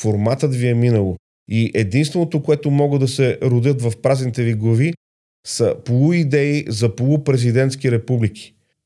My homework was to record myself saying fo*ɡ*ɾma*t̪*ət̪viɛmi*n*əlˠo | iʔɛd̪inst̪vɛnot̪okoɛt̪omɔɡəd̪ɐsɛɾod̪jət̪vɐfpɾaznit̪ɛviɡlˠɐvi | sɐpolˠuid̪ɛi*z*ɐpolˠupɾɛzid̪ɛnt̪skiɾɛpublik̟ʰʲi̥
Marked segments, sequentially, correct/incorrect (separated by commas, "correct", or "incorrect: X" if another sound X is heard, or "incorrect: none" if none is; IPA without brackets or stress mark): incorrect: none, correct, correct, correct